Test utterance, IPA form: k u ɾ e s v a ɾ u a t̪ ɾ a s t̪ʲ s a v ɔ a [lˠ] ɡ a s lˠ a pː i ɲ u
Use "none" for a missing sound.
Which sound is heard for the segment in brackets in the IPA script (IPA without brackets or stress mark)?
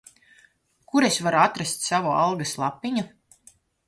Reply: lˠ